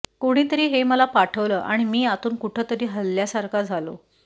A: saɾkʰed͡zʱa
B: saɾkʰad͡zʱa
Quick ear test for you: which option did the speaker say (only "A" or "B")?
B